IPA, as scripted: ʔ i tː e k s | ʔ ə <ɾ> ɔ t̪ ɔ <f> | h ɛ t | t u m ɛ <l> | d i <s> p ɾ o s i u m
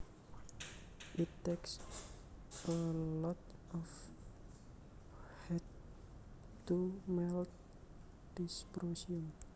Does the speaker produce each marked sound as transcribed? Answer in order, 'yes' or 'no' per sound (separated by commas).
no, yes, yes, yes